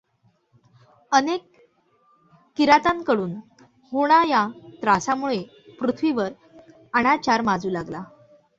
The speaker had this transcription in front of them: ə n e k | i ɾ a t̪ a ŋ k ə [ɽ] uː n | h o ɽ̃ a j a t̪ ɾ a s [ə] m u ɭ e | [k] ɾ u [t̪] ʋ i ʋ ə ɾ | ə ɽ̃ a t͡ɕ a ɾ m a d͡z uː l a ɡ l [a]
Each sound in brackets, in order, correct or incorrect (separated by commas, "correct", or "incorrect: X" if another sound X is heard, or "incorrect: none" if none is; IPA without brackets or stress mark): correct, incorrect: a, incorrect: p, incorrect: t̪ʰ, correct